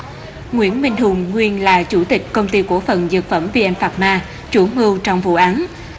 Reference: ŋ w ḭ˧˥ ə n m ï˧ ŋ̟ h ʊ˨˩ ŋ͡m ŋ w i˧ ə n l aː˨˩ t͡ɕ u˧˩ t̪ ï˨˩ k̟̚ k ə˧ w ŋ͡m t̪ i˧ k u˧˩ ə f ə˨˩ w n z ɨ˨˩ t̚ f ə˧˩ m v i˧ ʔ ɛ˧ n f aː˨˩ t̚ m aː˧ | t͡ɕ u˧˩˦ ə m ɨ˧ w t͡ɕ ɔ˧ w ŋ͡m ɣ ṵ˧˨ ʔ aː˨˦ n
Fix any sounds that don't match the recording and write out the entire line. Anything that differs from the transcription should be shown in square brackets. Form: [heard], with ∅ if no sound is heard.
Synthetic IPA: ŋ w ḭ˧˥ ə n m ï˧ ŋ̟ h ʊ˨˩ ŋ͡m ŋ w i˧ ə n l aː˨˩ t͡ɕ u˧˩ t̪ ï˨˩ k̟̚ k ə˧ w ŋ͡m t̪ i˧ k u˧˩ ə f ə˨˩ [∅] n z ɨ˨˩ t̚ f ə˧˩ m v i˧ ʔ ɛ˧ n f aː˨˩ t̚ m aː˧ | t͡ɕ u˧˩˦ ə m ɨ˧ w t͡ɕ ɔ˧ w ŋ͡m [v] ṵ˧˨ ʔ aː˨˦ n